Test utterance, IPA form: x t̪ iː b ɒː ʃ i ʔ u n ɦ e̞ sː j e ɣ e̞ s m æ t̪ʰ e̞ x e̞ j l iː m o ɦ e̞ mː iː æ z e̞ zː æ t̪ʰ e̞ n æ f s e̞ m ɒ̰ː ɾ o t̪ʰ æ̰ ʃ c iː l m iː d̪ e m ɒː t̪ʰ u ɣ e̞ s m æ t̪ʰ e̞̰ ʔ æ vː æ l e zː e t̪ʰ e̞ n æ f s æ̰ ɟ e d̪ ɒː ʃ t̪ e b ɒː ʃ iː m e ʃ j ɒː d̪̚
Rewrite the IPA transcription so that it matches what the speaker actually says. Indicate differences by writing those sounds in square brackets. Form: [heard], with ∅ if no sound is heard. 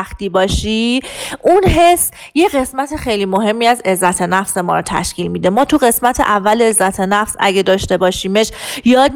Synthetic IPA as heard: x t̪ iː b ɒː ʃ i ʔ u n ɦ e̞ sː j e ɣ e̞ s m æ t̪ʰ e̞ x e̞ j l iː m o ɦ e̞ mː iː æ z e̞ zː æ t̪ʰ e̞ n æ f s e̞ m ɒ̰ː ɾ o t̪ʰ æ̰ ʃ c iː l m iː d̪ e m ɒː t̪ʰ u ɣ e̞ s m æ t̪ʰ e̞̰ ʔ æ vː æ l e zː [æ] t̪ʰ e̞ n æ f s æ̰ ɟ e d̪ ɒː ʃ t̪ e b ɒː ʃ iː m e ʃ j ɒː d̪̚